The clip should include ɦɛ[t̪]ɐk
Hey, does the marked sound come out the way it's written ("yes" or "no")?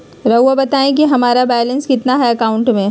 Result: no